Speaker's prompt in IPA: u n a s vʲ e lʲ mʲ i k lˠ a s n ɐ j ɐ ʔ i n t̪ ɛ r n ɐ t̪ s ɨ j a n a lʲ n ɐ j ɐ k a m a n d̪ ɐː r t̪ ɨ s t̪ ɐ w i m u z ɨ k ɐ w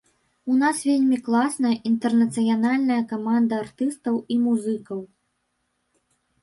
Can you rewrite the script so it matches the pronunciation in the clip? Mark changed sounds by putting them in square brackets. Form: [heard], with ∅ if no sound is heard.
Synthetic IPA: u n a s vʲ e lʲ mʲ i k lˠ a s n ɐ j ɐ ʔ i n t̪ ɛ r n ɐ t̪ s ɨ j a n a lʲ n ɐ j ɐ k a m a n d̪ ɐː r t̪ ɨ s t̪ ɐ w i m u z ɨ k ɐ w